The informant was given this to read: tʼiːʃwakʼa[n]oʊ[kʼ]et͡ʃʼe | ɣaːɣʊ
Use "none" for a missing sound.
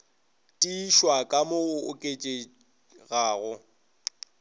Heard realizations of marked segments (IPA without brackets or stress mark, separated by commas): m, kʼ